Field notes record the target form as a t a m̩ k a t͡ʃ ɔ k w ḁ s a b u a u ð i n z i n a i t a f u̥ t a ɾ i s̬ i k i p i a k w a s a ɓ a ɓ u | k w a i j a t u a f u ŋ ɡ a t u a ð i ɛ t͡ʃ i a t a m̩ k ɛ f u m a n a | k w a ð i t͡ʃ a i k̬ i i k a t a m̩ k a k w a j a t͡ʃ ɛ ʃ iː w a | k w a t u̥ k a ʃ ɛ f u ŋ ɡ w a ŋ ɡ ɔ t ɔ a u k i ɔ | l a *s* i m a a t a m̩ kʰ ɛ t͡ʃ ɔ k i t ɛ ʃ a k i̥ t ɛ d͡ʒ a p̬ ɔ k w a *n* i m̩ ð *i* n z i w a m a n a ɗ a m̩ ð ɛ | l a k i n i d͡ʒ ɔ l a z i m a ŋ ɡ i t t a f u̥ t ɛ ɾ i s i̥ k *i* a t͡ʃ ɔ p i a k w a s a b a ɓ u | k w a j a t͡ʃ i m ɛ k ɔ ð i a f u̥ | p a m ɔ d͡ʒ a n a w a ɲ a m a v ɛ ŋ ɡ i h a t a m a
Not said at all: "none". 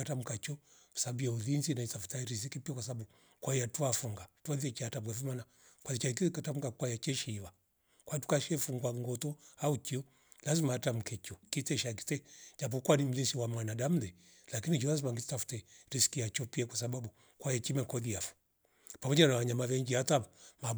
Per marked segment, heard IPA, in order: z, n, i, i

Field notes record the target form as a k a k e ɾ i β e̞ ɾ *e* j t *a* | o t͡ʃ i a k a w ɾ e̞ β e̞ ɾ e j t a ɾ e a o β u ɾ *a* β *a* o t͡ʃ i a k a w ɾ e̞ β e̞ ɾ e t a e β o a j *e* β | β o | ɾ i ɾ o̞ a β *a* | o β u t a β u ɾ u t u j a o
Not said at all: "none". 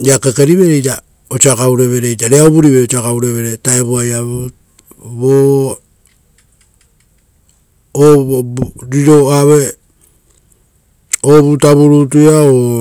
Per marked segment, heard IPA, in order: e, a, i, e, a, e

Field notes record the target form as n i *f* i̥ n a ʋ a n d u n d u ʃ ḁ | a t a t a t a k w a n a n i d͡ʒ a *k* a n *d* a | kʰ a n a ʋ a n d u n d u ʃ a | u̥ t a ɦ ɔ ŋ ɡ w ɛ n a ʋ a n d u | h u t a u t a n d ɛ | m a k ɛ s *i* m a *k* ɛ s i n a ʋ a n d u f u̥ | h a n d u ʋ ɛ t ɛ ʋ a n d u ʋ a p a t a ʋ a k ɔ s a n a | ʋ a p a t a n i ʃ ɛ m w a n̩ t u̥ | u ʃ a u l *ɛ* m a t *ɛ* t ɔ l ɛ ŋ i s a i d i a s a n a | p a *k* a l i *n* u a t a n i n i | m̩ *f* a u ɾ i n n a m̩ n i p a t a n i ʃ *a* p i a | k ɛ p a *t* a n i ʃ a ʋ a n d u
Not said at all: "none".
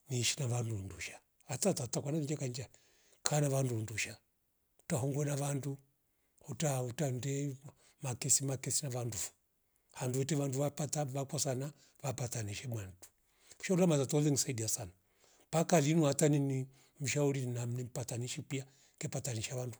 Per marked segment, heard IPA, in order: ʃ, k, d͡ʒ, i, k, a, a, k, n, ʃ, i, t

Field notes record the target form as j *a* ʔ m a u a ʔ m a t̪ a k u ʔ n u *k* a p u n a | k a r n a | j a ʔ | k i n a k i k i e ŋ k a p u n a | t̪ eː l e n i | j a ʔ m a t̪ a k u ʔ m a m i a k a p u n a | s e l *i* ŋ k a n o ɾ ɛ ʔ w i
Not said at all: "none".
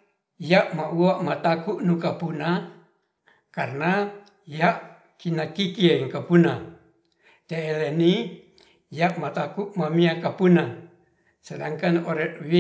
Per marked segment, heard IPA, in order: a, k, a

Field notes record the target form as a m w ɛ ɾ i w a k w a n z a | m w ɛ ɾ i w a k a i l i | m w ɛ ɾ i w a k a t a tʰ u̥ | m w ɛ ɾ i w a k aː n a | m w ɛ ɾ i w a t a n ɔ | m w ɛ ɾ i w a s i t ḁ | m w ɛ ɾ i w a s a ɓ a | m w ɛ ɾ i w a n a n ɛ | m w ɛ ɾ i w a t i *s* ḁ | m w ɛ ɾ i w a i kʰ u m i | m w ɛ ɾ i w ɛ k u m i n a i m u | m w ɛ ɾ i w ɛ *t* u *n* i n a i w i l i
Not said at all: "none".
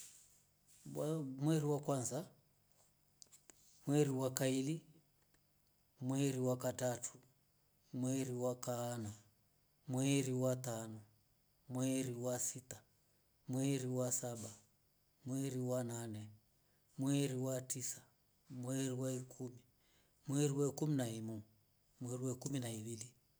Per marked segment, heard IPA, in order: s, k, m

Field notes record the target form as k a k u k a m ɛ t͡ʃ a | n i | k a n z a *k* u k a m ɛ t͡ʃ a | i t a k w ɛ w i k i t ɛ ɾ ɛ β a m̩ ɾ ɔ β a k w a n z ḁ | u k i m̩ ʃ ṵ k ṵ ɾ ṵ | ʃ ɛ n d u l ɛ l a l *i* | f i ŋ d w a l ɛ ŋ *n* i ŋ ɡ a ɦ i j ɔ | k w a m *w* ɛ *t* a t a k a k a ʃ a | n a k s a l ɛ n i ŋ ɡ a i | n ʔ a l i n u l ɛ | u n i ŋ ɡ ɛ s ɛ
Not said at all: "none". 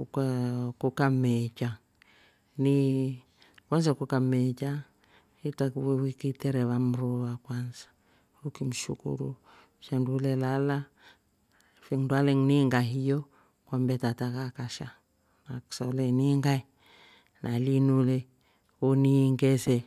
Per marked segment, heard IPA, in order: k, a, n, b, t

